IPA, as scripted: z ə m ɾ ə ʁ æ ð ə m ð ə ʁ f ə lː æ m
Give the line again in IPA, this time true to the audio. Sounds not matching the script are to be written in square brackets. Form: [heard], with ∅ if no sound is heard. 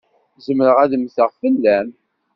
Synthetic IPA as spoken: z ə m ɾ ə ʁ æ ð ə m [θ] ə ʁ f ə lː æ m

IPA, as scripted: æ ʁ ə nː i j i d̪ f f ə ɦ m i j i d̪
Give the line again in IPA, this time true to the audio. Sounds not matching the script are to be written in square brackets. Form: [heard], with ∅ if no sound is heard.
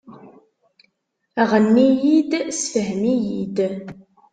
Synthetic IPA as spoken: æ ʁ ə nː i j i d̪ [s] f ə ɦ m i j i d̪

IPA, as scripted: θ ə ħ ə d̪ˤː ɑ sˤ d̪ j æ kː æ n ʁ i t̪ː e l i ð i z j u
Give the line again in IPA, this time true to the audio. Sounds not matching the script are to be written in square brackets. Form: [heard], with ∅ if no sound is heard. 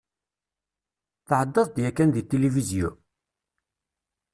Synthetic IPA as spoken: θ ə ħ ə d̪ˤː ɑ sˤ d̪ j æ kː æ n [ð] i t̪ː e l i [v] i z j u

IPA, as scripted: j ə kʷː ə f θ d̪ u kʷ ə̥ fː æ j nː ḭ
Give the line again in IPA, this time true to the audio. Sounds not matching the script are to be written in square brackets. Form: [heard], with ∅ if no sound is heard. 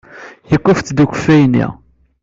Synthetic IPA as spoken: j ə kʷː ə f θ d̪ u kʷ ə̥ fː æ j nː ḭ

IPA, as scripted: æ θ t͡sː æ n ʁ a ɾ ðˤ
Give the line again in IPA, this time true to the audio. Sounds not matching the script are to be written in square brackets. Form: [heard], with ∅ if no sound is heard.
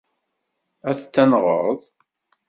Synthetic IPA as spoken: æ θ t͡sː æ n ʁ [ə] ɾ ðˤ

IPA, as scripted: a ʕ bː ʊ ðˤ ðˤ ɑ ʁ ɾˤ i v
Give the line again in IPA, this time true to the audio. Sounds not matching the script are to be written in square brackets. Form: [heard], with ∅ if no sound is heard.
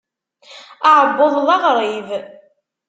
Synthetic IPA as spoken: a ʕ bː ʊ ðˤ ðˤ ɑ ʁ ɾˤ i v

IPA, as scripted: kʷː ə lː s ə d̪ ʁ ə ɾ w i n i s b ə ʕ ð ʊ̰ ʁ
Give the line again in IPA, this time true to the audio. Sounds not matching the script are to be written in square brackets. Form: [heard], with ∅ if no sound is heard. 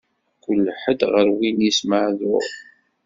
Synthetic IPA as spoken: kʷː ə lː [ħ] ə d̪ ʁ ə ɾ w i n i s [m] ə ʕ ð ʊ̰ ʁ

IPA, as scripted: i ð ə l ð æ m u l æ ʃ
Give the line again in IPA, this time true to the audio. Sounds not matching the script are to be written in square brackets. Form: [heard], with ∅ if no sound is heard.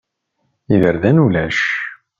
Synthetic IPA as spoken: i ð ə [ɾ] ð æ [n] u l æ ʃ

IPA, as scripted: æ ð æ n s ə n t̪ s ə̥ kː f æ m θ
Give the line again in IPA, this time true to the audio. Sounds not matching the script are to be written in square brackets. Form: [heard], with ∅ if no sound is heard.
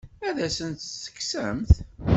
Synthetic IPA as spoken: æ ð æ [∅] s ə n t̪ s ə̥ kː [s] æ m θ

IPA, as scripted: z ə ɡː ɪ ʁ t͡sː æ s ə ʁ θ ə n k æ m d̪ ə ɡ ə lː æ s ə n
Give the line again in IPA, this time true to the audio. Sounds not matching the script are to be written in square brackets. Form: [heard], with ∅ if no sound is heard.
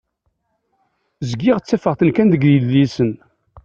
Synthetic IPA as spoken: z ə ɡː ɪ ʁ t͡sː æ [f] ə ʁ θ ə n k æ [n] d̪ ə ɡ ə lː [i] s ə n

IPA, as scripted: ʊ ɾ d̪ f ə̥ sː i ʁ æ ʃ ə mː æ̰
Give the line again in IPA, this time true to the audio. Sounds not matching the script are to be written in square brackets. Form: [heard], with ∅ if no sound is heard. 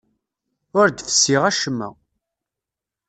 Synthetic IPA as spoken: ʊ ɾ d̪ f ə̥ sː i ʁ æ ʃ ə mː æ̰

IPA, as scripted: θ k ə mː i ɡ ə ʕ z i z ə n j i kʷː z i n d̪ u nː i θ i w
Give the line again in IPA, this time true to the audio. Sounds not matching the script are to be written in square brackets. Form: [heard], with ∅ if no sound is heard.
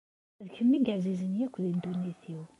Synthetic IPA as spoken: [ð] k ə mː i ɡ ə ʕ z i z ə n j [æ] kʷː [ð] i n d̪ u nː i θ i w

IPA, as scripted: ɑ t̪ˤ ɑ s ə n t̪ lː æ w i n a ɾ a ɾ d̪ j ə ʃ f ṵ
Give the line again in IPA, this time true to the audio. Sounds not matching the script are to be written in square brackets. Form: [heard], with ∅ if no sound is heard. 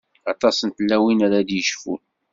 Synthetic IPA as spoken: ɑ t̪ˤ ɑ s ə n t̪ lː æ w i n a ɾ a [∅] d̪ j ə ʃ f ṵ

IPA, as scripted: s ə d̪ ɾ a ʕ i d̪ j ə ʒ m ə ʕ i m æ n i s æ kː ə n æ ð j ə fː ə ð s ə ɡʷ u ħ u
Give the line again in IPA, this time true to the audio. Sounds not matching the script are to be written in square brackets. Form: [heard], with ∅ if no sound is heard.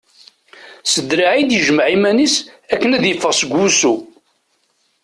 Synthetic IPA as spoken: s ə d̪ ɾ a ʕ i d̪ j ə ʒ m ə ʕ i m æ n i s æ kː ə n æ ð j ə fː ə [ʁ] s ə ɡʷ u [s] u

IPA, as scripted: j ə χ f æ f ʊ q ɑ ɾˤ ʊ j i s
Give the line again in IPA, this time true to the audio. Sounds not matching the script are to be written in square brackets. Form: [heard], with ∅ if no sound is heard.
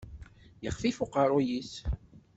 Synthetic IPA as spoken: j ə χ f [i] f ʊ q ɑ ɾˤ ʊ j i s

